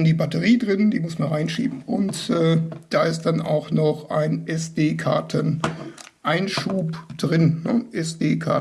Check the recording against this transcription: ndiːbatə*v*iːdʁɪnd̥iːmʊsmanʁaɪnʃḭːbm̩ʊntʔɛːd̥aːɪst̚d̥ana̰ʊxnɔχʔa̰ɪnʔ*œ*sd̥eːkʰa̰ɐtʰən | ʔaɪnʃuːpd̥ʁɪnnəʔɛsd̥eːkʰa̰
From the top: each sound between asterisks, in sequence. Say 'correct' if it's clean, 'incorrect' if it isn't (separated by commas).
incorrect, incorrect